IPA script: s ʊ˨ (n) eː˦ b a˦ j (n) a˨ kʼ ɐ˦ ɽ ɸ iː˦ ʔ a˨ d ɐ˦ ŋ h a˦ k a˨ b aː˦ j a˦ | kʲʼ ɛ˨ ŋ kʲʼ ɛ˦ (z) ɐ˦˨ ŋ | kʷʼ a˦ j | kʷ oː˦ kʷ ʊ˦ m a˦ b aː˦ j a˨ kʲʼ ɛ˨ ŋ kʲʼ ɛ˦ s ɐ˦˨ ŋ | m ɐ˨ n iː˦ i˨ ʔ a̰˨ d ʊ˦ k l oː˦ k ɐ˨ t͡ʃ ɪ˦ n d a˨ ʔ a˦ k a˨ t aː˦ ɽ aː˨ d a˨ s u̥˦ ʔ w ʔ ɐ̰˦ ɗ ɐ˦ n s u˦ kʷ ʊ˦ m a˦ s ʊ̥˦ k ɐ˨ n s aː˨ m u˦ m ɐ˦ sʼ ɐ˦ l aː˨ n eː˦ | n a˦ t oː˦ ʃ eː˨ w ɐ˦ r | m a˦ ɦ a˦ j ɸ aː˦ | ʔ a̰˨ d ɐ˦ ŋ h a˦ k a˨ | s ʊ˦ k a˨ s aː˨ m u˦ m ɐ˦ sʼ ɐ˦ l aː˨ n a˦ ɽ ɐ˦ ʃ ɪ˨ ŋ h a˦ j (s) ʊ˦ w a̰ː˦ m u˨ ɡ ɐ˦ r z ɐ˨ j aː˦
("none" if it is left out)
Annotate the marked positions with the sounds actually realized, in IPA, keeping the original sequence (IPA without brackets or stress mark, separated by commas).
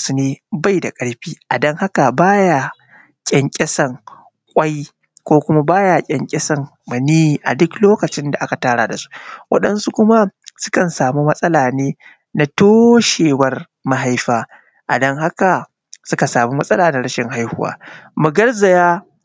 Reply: n, d, s, h